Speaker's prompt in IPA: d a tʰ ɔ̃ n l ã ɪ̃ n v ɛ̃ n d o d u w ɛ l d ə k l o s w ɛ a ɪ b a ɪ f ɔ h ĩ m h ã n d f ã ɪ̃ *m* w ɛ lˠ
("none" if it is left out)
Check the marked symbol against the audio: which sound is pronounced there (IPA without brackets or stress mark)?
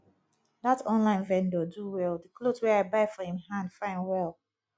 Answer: n